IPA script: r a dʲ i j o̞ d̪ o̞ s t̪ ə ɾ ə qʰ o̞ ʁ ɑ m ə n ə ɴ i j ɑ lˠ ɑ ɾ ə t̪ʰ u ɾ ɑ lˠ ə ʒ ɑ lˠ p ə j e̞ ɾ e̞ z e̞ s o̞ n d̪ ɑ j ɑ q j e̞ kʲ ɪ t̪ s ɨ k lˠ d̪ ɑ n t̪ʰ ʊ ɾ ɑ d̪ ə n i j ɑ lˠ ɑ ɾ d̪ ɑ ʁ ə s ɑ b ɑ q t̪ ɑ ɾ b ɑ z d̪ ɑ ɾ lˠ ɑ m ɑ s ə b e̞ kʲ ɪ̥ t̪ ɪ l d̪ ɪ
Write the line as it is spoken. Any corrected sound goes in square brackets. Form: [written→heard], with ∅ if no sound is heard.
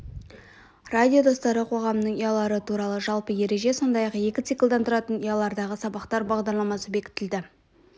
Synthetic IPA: r a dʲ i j o̞ d̪ o̞ s t̪ [ə→ɑ] ɾ ə qʰ o̞ ʁ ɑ m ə n ə ɴ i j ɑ lˠ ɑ ɾ ə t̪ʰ u ɾ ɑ lˠ ə ʒ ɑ lˠ p ə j e̞ ɾ e̞ [z→ʒ] e̞ s o̞ n d̪ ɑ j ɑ q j e̞ kʲ ɪ t̪ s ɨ k lˠ d̪ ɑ n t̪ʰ ʊ ɾ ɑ [d̪→t̪] ə n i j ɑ lˠ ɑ ɾ d̪ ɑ ʁ ə s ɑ b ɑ q t̪ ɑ ɾ b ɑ [z→ʁ] d̪ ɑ ɾ lˠ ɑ m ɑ s ə b e̞ kʲ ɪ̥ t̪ ɪ l d̪ ɪ